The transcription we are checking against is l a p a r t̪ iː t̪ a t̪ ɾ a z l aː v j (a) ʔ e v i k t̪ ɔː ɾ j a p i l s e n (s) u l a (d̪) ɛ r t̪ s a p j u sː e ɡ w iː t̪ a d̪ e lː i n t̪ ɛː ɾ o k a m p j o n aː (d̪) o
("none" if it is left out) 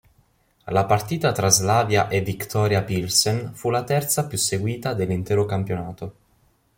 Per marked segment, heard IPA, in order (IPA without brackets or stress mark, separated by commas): a, f, t̪, t̪